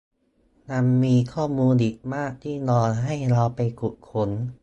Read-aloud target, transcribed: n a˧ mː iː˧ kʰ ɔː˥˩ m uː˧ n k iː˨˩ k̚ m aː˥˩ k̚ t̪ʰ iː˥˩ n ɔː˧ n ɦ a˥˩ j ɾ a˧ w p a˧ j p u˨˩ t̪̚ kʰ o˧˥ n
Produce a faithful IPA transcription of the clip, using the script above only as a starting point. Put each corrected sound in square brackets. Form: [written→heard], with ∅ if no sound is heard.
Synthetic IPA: n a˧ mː iː˧ kʰ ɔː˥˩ m uː˧ n [k→ʔ] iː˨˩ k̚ m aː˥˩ k̚ t̪ʰ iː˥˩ n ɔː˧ n ɦ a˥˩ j ɾ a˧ w p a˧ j [p→k] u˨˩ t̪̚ kʰ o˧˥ n

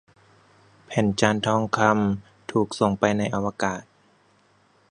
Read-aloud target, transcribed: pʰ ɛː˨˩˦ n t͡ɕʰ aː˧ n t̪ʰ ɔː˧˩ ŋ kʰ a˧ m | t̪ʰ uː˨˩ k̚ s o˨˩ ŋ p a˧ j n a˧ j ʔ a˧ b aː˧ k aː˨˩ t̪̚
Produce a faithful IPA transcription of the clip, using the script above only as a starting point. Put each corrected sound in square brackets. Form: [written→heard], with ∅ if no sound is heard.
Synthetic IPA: pʰ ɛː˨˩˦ n [t͡ɕʰ→t͡ɕ] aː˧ n t̪ʰ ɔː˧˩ ŋ kʰ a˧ m | t̪ʰ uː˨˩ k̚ s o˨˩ ŋ p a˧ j n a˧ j ʔ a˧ [b→w] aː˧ k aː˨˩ t̪̚

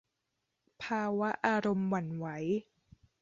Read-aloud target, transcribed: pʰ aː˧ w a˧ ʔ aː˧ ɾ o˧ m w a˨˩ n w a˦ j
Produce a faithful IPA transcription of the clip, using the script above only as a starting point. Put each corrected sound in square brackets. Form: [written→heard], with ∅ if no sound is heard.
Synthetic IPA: pʰ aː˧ w [a˧→a˦˥] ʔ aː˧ ɾ o˧ m w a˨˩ n w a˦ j

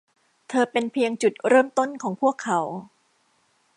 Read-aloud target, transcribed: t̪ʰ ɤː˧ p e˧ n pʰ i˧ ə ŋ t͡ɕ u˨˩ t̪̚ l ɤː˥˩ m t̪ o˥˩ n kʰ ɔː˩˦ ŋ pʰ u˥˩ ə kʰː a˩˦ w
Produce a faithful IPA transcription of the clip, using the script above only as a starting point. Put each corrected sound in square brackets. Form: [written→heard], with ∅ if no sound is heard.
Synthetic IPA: t̪ʰ ɤː˧ p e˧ n pʰ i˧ ə ŋ t͡ɕ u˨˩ t̪̚ [l→ɾ] ɤː˥˩ m t̪ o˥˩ n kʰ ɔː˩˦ ŋ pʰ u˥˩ ə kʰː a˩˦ w

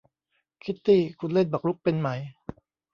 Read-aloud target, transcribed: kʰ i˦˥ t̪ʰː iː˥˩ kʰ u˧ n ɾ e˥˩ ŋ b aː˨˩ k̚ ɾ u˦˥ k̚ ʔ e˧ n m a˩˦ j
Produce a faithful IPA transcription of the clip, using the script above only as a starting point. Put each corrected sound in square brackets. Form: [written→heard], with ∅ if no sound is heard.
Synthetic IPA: kʰ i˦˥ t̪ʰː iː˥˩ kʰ u˧ n [ɾ→l] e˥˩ [ŋ→n] b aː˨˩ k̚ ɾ u˦˥ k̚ [ʔ→p] e˧ n m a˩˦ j

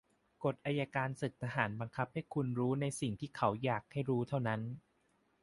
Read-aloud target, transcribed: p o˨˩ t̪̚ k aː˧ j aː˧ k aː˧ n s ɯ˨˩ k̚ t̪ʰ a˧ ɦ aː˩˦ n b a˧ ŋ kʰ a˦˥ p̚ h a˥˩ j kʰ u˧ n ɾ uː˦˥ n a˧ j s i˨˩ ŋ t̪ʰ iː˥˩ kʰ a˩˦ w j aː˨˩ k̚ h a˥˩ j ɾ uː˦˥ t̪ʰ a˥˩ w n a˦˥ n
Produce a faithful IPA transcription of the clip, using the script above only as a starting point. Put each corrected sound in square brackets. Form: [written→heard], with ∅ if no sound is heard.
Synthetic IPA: [p→k] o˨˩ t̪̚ [k→ʔ] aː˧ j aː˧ k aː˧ n s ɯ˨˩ k̚ t̪ʰ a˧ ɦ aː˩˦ n b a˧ ŋ kʰ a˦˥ p̚ h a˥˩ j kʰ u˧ n ɾ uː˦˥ n a˧ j s i˨˩ ŋ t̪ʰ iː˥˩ kʰ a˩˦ w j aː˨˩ k̚ h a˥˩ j ɾ uː˦˥ t̪ʰ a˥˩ w n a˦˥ n

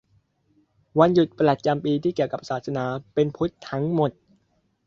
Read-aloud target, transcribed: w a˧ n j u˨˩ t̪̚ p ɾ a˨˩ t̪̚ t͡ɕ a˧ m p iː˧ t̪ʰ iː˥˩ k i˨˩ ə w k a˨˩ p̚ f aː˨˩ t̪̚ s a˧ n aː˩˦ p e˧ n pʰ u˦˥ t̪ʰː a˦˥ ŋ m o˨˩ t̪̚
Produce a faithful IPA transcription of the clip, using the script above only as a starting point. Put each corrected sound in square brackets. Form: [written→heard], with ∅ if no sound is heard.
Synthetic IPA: w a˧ n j u˨˩ t̪̚ p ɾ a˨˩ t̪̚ t͡ɕ a˧ m p iː˧ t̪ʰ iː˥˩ k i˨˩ ə w k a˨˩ p̚ [f→s] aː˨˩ t̪̚ s a˧ n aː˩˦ p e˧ n pʰ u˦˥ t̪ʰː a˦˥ ŋ m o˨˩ t̪̚

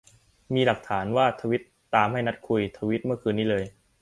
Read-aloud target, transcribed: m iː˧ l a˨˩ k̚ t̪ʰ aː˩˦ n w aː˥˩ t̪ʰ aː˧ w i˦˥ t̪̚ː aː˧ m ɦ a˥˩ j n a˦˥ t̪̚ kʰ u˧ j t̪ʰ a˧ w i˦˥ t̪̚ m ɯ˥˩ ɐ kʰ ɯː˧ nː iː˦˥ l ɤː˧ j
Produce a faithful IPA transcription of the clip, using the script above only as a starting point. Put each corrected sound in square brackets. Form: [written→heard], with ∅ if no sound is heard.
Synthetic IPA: m iː˧ l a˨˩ k̚ t̪ʰ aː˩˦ n w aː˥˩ t̪ʰ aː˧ w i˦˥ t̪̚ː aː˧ m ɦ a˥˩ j n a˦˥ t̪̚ kʰ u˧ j t̪ʰ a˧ w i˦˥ t̪̚ m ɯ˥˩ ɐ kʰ ɯː˧ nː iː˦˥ l ɤː˧ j

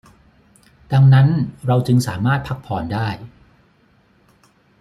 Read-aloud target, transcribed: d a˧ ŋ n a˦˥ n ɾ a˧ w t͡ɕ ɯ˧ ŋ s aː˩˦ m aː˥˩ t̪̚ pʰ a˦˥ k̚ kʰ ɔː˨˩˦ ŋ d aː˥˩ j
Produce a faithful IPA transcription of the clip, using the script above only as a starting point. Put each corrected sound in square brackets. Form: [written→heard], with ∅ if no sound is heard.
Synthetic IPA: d a˧ ŋ n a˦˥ n ɾ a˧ w t͡ɕ ɯ˧ ŋ s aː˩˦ m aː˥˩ t̪̚ pʰ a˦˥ k̚ [kʰ→pʰ] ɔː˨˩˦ [ŋ→n] d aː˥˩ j

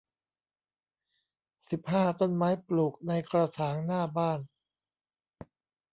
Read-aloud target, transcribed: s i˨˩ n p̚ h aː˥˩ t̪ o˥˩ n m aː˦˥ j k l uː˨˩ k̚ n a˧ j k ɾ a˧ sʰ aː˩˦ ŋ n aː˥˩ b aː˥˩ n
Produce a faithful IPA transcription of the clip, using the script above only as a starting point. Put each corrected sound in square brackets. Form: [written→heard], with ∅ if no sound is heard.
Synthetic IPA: s i˨˩ [n→∅] p̚ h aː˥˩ t̪ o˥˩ n m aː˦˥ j [k→p] l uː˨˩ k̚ n a˧ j k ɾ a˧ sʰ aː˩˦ ŋ n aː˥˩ b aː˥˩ n

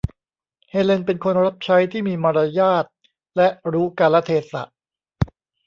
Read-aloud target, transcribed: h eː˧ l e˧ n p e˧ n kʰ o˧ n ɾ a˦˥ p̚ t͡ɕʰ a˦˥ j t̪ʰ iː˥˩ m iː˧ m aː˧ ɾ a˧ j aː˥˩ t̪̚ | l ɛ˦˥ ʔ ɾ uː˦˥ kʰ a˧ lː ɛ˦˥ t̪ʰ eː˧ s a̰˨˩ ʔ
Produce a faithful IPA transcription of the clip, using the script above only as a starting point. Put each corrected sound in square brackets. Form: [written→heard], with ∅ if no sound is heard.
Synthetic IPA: h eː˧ l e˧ n p e˧ n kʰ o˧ n ɾ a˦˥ p̚ t͡ɕʰ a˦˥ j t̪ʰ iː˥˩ m iː˧ m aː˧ ɾ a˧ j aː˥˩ t̪̚ | l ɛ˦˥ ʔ ɾ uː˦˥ [kʰ→k] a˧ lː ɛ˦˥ t̪ʰ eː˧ s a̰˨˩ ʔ

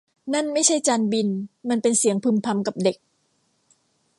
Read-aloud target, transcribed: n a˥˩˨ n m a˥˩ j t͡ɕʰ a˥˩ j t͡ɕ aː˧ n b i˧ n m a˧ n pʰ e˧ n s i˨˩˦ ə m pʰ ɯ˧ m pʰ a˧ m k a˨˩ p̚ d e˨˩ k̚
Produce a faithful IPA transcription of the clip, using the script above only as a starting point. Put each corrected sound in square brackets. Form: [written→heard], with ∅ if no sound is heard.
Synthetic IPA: n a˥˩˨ n m a˥˩ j t͡ɕʰ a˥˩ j t͡ɕ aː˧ n b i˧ n m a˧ n [pʰ→p] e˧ n s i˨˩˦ ə [m→ŋ] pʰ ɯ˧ m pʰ a˧ m k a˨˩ p̚ d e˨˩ k̚

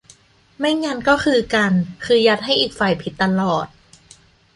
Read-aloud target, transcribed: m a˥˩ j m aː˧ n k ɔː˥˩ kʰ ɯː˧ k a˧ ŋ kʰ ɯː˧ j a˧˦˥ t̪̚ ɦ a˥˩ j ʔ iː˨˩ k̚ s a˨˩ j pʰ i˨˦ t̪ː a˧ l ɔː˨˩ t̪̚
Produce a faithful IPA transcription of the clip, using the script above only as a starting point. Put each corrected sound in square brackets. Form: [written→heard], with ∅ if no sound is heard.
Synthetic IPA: m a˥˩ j [m→ŋ] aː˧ n k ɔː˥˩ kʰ ɯː˧ k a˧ [ŋ→n] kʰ ɯː˧ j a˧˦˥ t̪̚ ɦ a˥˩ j ʔ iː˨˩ k̚ [s→f] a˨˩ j pʰ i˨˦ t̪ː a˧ l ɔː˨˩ t̪̚

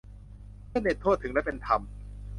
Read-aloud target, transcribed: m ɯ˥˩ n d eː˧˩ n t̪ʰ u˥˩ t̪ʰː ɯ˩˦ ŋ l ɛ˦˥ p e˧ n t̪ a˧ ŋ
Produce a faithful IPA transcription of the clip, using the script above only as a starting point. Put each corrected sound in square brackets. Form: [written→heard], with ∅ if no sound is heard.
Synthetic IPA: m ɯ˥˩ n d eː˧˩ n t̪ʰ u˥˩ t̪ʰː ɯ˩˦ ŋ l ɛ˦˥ p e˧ n [t̪→t̪ʰ] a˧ [ŋ→m]

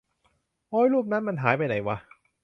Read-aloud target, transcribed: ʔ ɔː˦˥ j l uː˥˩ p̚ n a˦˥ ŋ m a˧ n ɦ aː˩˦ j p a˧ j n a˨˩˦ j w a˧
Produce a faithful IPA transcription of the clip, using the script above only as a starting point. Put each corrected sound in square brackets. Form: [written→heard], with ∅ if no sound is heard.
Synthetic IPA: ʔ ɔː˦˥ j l uː˥˩ p̚ n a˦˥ [ŋ→n] m a˧ n ɦ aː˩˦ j p a˧ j n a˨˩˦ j w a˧

